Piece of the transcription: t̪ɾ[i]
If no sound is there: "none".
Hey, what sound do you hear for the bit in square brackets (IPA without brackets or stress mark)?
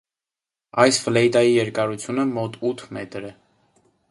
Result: ɛ